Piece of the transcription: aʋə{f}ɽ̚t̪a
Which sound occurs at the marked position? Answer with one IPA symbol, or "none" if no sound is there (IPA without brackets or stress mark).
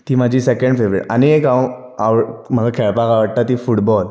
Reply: none